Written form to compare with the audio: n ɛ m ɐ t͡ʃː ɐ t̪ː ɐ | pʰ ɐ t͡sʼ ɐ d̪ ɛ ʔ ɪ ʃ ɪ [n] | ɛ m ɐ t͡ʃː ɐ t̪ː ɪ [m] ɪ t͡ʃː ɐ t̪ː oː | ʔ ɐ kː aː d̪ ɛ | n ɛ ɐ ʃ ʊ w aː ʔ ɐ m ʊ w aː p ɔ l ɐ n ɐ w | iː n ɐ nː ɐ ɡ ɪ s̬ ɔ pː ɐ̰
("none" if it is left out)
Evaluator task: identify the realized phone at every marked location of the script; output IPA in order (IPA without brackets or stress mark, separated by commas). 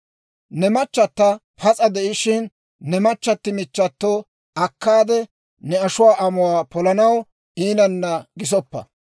nː, m